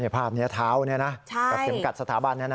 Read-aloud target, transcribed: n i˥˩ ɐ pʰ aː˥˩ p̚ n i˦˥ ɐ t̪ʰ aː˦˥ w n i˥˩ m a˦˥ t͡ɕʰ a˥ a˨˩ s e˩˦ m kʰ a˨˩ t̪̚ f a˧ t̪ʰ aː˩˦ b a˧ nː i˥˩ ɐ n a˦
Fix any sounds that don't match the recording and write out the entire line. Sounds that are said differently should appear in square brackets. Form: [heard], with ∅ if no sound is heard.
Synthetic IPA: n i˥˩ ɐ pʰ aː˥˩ p̚ n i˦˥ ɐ t̪ʰ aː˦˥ w n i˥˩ [n] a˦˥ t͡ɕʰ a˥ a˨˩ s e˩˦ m [k] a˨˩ t̪̚ [s] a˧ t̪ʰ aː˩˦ b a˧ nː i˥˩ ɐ n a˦